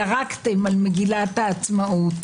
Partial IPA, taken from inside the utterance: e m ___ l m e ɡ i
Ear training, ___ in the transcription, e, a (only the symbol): a